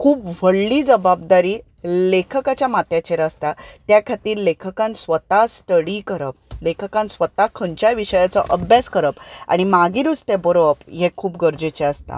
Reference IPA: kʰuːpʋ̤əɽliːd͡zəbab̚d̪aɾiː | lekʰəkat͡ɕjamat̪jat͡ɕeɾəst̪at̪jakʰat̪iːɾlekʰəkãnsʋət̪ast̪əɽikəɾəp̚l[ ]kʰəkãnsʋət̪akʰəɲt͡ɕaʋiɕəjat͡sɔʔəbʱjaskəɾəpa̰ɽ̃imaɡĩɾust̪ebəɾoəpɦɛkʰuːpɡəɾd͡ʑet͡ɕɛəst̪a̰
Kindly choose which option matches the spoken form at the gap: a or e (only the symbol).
e